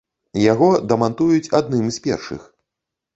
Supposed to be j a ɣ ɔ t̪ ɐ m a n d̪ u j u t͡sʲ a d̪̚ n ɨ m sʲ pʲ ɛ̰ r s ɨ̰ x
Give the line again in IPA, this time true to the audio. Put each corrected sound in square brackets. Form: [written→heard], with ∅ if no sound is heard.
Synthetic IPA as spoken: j a ɣ ɔ [t̪→d̪] ɐ m a n [d̪→t̪] u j u t͡sʲ a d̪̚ n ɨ m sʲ pʲ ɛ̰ r [s→ʂ] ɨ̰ x